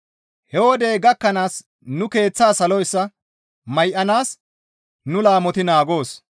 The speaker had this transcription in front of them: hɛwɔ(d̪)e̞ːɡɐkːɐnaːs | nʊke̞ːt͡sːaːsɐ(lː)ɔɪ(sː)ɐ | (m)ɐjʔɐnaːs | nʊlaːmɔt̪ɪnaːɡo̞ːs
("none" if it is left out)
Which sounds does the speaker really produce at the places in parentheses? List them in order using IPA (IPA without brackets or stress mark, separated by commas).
d̪, l, sː, m